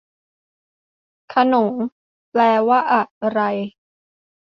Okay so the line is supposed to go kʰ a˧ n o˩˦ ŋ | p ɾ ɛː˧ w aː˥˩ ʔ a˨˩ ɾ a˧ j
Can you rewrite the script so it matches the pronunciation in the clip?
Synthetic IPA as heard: kʰ a˧ n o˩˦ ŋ | p l ɛː˧ w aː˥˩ ʔ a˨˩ ɾ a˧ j